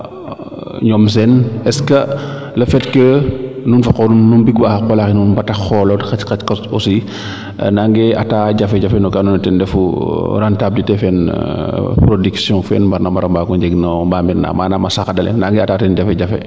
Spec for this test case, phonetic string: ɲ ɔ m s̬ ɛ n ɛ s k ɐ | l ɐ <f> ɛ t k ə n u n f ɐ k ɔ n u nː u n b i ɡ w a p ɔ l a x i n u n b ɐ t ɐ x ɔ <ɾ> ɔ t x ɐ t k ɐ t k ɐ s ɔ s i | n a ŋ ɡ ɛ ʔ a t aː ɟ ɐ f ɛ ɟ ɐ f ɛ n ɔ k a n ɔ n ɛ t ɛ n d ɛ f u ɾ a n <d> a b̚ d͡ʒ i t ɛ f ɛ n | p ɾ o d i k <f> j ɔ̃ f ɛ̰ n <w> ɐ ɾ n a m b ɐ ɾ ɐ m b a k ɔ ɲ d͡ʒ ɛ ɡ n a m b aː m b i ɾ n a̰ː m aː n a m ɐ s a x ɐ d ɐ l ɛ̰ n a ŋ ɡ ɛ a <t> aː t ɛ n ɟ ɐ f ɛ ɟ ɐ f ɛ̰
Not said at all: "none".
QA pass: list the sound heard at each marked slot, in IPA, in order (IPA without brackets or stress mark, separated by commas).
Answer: f, l, t, s, b, t